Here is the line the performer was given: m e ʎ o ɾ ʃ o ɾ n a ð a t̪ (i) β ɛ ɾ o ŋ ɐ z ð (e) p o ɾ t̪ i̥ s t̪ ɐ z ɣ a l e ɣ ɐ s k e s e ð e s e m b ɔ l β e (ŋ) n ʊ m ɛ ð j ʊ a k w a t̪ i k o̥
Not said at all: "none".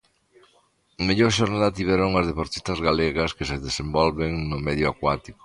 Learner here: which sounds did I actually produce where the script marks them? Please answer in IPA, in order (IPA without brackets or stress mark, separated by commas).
i, e, ŋ